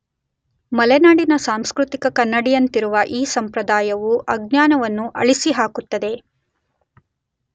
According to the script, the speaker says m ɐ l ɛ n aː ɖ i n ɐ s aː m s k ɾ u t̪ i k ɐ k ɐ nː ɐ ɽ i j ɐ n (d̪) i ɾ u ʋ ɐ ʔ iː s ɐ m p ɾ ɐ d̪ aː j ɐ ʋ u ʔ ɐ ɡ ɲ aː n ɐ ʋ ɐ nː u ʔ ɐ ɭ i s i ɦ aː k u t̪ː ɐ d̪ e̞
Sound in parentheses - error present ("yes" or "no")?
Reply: yes